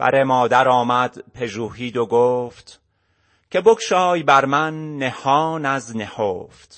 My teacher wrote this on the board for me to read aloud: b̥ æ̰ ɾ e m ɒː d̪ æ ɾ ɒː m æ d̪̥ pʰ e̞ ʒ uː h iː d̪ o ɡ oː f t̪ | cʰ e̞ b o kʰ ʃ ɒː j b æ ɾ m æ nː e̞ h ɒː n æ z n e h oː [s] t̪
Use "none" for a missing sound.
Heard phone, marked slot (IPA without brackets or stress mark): f